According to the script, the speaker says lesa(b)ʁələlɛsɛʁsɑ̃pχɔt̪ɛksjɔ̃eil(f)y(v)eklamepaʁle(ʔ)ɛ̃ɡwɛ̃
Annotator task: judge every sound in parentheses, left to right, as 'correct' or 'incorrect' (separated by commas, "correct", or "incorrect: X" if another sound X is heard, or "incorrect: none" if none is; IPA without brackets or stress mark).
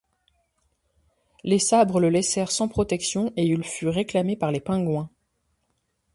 correct, correct, incorrect: ʁ, incorrect: p